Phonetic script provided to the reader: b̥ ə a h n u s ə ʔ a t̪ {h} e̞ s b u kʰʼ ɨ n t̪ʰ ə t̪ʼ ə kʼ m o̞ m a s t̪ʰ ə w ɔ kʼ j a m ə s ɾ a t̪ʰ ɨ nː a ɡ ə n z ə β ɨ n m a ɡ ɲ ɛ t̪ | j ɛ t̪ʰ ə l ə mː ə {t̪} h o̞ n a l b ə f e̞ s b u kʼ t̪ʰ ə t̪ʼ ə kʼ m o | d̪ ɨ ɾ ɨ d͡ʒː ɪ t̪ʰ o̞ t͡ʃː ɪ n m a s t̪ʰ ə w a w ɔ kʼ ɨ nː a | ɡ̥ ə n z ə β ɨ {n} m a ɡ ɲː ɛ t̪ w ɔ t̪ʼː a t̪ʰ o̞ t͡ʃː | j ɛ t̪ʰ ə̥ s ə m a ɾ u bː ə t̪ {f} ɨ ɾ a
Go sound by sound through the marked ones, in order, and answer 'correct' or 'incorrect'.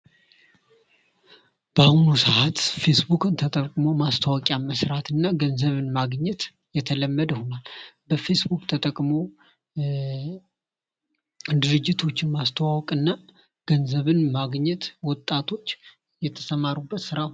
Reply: incorrect: f, incorrect: d̪, correct, incorrect: s

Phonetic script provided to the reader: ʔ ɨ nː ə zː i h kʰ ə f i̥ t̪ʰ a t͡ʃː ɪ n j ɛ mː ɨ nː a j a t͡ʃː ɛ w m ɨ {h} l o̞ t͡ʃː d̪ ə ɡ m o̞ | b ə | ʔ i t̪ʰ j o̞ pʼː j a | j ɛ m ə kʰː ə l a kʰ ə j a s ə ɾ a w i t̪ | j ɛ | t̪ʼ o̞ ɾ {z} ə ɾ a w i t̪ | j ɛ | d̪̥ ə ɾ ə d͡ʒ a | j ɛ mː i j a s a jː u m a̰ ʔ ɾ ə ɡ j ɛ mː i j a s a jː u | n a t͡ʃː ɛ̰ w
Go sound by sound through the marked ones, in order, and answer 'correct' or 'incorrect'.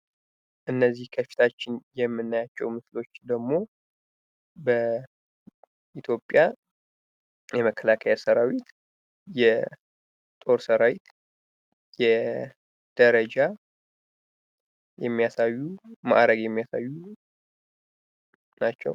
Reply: incorrect: s, incorrect: s

